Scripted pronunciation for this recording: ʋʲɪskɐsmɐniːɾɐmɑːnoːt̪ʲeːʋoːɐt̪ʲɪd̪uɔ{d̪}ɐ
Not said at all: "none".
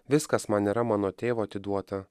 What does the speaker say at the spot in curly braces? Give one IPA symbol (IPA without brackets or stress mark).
t̪